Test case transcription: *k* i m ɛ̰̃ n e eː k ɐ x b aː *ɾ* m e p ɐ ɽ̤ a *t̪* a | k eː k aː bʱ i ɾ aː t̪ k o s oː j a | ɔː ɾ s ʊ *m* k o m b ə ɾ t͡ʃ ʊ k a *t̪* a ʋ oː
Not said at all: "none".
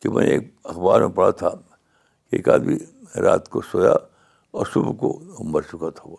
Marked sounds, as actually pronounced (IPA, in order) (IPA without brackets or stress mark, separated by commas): k, ɾ, t̪ʰ, b, t̪ʰ